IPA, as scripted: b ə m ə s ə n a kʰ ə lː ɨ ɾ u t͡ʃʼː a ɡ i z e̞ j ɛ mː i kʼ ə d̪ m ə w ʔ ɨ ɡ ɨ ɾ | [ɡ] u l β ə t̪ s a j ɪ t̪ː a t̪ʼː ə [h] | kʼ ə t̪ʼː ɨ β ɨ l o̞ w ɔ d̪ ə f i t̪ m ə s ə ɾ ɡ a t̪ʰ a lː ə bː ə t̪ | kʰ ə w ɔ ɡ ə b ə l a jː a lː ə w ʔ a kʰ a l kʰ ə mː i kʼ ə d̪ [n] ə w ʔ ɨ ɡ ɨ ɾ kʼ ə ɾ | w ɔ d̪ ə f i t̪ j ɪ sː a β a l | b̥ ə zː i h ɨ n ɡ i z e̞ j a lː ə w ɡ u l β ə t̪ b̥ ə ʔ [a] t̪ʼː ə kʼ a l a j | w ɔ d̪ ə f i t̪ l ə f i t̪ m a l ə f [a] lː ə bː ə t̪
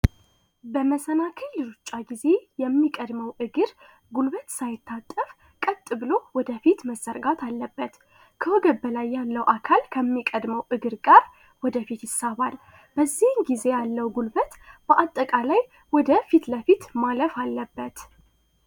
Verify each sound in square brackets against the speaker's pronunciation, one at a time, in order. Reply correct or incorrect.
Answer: correct, incorrect, incorrect, correct, correct

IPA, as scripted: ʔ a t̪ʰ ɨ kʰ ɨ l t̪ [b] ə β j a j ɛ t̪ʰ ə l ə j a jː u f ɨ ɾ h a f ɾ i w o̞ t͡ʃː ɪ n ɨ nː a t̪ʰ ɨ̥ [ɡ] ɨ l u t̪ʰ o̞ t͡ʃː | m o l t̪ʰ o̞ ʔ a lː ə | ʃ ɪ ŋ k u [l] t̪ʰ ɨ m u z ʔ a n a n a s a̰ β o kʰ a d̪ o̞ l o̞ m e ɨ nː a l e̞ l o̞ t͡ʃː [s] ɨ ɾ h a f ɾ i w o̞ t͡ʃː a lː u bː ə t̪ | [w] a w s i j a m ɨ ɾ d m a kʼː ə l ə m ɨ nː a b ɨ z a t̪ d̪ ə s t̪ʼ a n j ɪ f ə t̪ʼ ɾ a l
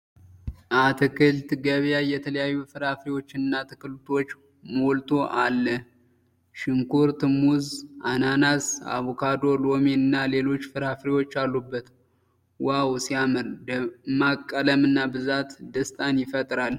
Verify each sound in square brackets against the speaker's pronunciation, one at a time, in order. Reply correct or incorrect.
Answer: incorrect, incorrect, incorrect, incorrect, correct

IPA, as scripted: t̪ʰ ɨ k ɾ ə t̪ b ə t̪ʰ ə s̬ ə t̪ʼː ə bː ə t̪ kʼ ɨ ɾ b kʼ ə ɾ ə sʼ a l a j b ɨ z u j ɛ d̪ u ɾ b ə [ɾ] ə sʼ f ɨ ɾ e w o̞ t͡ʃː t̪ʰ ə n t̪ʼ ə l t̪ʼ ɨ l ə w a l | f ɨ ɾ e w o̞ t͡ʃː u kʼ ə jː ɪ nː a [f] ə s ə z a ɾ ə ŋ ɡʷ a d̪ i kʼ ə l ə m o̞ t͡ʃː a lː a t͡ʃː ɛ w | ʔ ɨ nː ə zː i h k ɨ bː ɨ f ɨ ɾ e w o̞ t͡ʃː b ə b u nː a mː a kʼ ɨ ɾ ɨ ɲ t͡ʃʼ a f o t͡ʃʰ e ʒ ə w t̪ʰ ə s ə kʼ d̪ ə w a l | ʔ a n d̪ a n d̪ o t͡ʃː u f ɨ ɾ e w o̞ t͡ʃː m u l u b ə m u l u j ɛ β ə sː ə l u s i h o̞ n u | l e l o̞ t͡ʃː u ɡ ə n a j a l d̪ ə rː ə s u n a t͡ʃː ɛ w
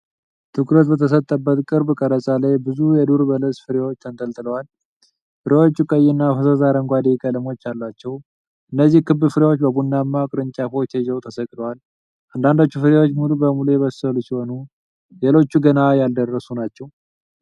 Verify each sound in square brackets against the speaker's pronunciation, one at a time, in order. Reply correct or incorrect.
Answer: incorrect, correct

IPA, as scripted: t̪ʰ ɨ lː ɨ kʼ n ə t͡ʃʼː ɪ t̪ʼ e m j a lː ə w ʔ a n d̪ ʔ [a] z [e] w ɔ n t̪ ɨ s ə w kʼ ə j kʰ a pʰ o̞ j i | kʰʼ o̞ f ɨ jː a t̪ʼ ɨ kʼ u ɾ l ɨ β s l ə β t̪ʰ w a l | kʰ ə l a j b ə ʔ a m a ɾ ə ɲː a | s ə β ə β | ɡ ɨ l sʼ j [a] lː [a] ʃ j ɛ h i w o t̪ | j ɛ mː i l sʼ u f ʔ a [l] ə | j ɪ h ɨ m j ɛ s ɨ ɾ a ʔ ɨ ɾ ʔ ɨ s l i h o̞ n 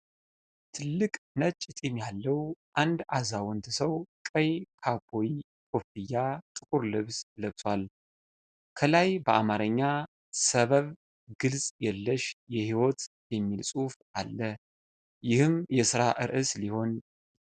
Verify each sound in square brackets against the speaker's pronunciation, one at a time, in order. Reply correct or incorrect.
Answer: correct, incorrect, incorrect, incorrect, incorrect

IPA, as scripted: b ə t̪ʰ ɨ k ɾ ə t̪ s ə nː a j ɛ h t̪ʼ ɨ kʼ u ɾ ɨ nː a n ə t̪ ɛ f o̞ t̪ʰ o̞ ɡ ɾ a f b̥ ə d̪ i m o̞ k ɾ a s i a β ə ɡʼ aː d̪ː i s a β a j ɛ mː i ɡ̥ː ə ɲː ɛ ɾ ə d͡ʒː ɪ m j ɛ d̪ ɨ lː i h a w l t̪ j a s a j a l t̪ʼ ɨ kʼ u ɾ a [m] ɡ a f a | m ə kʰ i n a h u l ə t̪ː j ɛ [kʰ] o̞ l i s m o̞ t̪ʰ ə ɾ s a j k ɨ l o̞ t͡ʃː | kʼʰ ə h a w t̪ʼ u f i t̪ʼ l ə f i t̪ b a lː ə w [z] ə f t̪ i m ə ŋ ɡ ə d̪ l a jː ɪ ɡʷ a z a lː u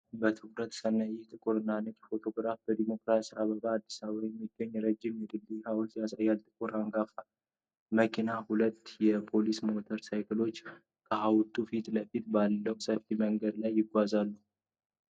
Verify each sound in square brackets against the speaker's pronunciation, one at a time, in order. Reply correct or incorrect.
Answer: incorrect, incorrect, incorrect

